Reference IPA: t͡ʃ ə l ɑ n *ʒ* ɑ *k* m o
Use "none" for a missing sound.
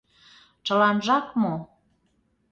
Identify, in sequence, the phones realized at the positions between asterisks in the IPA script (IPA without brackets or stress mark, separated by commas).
ʒ, k